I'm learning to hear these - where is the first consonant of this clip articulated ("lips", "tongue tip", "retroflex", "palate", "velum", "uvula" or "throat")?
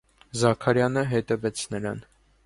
tongue tip